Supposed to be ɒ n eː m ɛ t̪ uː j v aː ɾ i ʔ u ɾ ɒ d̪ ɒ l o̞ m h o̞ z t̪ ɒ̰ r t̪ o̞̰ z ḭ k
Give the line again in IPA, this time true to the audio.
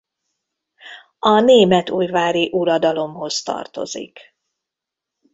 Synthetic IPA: ɒ n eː m ɛ t̪ uː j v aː ɾ i ʔ u ɾ ɒ d̪ ɒ l o̞ m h o̞ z t̪ ɒ̰ r t̪ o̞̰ z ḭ k

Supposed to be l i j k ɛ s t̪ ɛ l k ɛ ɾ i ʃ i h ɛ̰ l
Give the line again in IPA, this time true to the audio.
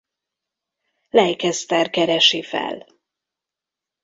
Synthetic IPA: l ɛ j k ɛ s t̪ ɛ r k ɛ ɾ ɛ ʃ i f ɛ̰ l

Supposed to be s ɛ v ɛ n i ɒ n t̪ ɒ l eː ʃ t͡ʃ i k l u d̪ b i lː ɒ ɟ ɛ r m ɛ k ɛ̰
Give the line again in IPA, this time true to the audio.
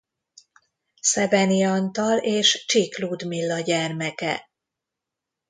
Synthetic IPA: s ɛ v ɛ n i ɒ n t̪ ɒ l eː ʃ t͡ʃ i k l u d̪ m i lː ɒ ɟ ɛ r m ɛ k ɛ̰

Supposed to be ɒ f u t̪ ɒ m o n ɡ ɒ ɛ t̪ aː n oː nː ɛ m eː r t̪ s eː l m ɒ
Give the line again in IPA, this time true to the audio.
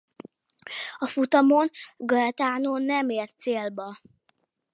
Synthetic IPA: ɒ f u t̪ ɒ m o n ɡ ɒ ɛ t̪ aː n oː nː ɛ m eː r t̪ s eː l b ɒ

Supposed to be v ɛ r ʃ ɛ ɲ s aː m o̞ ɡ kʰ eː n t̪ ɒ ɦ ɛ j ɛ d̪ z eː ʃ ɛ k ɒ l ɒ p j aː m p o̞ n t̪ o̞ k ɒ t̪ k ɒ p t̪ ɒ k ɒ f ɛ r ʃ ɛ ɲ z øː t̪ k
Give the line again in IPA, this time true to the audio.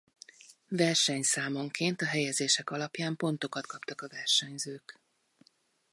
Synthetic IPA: v ɛ r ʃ ɛ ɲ s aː m o̞ ŋ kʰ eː n t̪ ɒ ɦ ɛ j ɛ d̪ z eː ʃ ɛ k ɒ l ɒ p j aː m p o̞ n t̪ o̞ k ɒ t̪ k ɒ p t̪ ɒ k ɒ v ɛ r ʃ ɛ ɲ z øː k

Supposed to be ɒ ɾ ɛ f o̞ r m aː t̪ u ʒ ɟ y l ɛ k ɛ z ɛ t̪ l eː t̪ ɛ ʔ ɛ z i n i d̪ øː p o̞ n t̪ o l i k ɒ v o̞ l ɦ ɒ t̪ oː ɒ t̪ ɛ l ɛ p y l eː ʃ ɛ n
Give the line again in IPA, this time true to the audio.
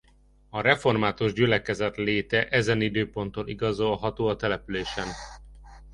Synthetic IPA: ɒ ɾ ɛ f o̞ r m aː t̪ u ʒ ɟ y l ɛ k ɛ z ɛ t̪ l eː t̪ ɛ ʔ ɛ z ɛ n i d̪ øː p o̞ n t̪ o l i ɡ ɒ z o̞ l ɦ ɒ t̪ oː ɒ t̪ ɛ l ɛ p y l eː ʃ ɛ n

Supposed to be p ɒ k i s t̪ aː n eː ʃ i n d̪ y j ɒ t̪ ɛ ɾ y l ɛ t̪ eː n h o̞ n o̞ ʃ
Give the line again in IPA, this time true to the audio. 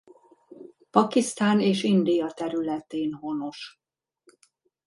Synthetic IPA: p ɒ k i s t̪ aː n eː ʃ i n d̪ i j ɒ t̪ ɛ ɾ y l ɛ t̪ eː n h o̞ n o̞ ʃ

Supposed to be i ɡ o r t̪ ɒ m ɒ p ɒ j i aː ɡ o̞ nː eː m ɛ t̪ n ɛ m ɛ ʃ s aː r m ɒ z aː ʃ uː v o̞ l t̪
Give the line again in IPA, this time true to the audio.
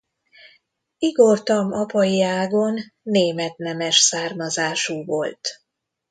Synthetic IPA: i ɡ o r t̪ ɒ m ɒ p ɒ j i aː ɡ o̞ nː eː m ɛ t̪ n ɛ m ɛ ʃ s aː r m ɒ z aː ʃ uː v o̞ l t̪

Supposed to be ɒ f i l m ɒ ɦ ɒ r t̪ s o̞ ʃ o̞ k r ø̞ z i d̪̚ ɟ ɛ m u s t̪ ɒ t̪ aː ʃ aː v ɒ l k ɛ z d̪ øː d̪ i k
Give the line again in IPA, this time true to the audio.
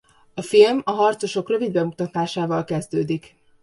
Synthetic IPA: ɒ f i l m ɒ ɦ ɒ r t̪ s o̞ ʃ o̞ k r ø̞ v i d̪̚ b ɛ m u t̪ ɒ t̪ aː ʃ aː v ɒ l k ɛ z d̪ øː d̪ i k

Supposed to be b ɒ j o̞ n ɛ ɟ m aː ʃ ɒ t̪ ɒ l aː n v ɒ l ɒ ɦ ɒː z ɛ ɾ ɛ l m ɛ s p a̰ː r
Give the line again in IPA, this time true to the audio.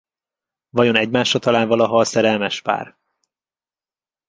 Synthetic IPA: v ɒ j o̞ n ɛ ɟ m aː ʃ ɒ t̪ ɒ l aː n v ɒ l ɒ ɦ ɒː s ɛ ɾ ɛ l m ɛ ʃ p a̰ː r

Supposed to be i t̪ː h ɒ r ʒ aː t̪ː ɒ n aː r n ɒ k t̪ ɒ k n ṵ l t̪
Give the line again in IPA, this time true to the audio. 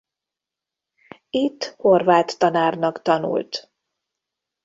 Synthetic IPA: i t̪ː h o r v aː t̪ː ɒ n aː r n ɒ k t̪ ɒ n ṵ l t̪

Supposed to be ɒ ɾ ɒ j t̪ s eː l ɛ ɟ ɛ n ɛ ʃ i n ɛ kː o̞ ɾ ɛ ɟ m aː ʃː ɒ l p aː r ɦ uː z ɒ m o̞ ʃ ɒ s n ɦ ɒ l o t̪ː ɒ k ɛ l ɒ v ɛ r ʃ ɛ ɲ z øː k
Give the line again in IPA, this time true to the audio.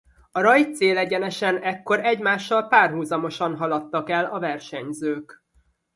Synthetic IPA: ɒ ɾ ɒ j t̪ s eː l ɛ ɟ ɛ n ɛ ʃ ɛ n ɛ kː o̞ ɾ ɛ ɟ m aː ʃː ɒ l p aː r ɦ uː z ɒ m o̞ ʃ ɒ n ɦ ɒ l ɒ t̪ː ɒ k ɛ l ɒ v ɛ r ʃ ɛ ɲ z øː k

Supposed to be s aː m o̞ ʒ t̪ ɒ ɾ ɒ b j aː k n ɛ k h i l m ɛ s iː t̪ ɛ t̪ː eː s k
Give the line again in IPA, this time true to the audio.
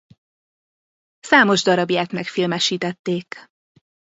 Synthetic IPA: s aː m o̞ ʒ d̪ ɒ ɾ ɒ b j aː k n ɛ k f i l m ɛ ʃ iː t̪ ɛ t̪ː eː k

